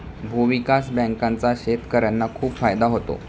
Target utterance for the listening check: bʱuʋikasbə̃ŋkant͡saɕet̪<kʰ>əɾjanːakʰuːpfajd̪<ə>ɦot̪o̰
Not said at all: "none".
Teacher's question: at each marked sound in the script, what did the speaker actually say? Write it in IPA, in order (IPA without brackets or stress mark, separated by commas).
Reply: k, a